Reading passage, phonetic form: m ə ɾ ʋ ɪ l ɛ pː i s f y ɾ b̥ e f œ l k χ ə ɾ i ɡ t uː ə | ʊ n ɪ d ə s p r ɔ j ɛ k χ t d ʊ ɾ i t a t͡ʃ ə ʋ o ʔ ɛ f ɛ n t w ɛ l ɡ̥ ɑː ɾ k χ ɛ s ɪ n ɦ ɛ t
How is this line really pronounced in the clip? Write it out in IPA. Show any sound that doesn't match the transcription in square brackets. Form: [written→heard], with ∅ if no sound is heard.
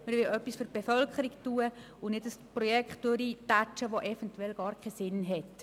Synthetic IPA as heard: m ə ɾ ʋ ɪ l [ɛ→œ] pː i s f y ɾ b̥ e f œ l k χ ə ɾ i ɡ t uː ə | ʊ n ɪ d ə s p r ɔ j ɛ k χ t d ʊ ɾ i t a t͡ʃ ə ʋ o ʔ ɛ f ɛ n t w ɛ l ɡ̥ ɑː ɾ k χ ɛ s ɪ n ɦ ɛ t

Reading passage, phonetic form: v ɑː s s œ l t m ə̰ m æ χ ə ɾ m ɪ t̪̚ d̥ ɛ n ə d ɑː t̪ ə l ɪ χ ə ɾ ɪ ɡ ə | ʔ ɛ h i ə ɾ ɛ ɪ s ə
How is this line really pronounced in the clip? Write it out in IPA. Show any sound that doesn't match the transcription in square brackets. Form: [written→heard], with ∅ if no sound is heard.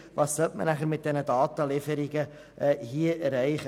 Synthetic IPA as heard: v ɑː s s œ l t m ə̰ [m→n] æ χ ə ɾ m ɪ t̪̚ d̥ ɛ n ə d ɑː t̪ ə l ɪ [χ→f] ə ɾ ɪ ɡ ə | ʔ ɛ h i ə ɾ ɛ ɪ [s→χ] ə

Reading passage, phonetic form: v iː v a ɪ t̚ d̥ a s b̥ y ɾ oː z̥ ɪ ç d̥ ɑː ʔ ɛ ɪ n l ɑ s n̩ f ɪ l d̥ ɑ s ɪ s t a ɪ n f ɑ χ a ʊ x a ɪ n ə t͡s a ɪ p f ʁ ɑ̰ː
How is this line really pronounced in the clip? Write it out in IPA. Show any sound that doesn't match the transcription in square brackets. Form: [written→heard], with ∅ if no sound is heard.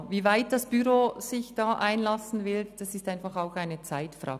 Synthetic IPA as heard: v iː v a ɪ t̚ d̥ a s b̥ y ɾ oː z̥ ɪ ç d̥ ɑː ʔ [ɛ→a] ɪ n l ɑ s n̩ [f→v] ɪ l d̥ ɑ s ɪ s t a ɪ n f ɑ χ a ʊ x a ɪ n ə t͡s a ɪ [p→t] f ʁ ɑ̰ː

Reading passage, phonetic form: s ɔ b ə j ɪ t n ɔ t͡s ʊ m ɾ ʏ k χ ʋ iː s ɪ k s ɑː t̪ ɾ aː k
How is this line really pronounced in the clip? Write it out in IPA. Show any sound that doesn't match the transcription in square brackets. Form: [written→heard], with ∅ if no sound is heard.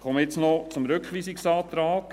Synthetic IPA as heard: [s→χ] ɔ [b→m] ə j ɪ [t→t͡s] n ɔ t͡s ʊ m ɾ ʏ k χ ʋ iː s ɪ k s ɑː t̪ ɾ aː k

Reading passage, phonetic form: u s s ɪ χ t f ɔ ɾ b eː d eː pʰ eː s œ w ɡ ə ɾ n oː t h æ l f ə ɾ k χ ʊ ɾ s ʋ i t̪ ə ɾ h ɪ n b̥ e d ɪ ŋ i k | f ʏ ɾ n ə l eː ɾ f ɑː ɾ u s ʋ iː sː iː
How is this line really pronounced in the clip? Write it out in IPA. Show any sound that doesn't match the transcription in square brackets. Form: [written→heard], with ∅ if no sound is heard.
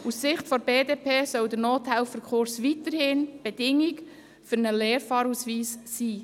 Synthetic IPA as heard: u s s ɪ χ t f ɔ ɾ b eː d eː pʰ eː s œ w [ɡ→d] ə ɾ n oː t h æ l f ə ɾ k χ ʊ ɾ s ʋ i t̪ ə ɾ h ɪ n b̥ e d ɪ ŋ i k | f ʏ ɾ n ə l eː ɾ f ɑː ɾ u s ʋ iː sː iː

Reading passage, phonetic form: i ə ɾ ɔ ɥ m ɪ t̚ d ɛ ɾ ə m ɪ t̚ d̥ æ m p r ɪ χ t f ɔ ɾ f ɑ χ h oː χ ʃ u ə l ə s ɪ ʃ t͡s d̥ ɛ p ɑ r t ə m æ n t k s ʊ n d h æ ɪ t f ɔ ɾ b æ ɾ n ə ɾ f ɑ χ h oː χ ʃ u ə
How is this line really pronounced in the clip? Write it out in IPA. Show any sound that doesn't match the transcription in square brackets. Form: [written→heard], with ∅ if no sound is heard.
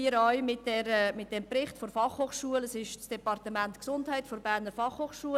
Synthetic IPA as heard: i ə ɾ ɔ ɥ m ɪ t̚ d ɛ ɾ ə m ɪ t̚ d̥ [æ→ɛ] m p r ɪ χ t f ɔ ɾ f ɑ χ h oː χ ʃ u ə l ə s ɪ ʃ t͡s d̥ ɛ p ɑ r t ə m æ n t k s ʊ n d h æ ɪ t f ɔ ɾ b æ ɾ n ə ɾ f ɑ χ h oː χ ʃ u ə

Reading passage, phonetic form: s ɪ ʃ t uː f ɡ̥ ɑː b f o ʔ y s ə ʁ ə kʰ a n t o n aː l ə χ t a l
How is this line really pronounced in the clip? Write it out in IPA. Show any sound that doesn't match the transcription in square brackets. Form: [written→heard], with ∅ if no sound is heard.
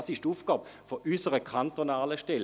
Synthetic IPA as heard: s ɪ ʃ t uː f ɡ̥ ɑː b f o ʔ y s ə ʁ ə kʰ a n t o n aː l ə [χ→ʃ] t [a→ɛ] l

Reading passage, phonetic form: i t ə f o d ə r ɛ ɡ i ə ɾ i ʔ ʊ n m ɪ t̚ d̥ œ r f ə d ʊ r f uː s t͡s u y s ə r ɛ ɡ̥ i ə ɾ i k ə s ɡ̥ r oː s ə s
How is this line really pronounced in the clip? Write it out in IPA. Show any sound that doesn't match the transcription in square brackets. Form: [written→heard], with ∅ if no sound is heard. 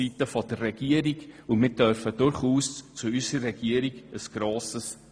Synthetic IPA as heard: i t ə f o d ə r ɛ ɡ i ə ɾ i [ʔ→k] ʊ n m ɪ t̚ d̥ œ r f ə d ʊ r [f→χ] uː s t͡s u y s ə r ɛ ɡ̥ i ə ɾ i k ə s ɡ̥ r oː s ə s

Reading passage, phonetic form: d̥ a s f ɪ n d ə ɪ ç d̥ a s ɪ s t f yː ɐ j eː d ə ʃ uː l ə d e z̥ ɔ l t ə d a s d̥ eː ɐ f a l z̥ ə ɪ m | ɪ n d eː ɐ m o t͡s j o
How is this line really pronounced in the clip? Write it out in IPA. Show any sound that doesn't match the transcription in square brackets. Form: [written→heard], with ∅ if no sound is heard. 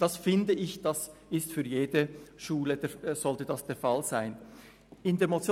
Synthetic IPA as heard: d̥ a s f ɪ n d ə ɪ ç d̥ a s ɪ s t f yː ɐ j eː d ə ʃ uː l ə d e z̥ ɔ l t ə d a s d̥ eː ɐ f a l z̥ [ə→a] ɪ [m→n] | ɪ n d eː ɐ m o t͡s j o

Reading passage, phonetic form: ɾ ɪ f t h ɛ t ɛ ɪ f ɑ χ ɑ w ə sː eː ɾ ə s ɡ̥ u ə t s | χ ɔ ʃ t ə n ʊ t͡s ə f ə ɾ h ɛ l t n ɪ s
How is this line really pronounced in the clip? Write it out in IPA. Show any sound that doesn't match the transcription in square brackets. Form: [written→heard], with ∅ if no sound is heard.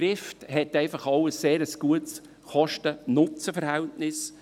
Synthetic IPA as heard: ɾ ɪ f t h ɛ t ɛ ɪ f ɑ χ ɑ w ə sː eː ɾ ə s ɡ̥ u ə t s | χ ɔ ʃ t ə n ʊ t͡s ə f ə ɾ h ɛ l t n ɪ s

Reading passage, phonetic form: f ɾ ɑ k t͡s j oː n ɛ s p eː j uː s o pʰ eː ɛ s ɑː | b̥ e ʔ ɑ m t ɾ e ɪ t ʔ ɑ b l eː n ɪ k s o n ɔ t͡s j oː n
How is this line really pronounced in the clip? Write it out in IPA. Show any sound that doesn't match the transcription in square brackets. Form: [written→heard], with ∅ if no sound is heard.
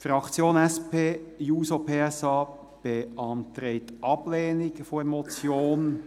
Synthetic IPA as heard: f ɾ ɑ k t͡s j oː n ɛ s p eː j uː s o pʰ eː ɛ s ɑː | b̥ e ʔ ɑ [m→n] t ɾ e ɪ t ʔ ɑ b l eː n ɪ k [s→f] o [n→m] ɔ t͡s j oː n

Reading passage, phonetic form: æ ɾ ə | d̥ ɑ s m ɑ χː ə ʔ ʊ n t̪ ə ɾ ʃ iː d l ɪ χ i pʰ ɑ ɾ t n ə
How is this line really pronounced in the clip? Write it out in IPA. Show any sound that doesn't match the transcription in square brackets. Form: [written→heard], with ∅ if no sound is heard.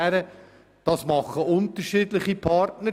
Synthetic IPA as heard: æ ɾ ə | d̥ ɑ s m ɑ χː ə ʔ ʊ n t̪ ə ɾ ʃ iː d l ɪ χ i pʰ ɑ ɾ t n ə

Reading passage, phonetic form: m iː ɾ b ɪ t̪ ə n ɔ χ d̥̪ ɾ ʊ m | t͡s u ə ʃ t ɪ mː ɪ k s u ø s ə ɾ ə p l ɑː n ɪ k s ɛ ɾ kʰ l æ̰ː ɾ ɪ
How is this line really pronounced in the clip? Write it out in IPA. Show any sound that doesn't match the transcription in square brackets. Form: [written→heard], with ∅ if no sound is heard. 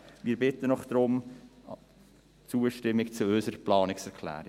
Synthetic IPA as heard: m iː ɾ b ɪ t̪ ə n ɔ χ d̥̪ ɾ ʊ m | t͡s u ə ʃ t ɪ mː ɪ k [s→t͡s] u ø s ə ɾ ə p l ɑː n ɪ k s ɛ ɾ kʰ l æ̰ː ɾ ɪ

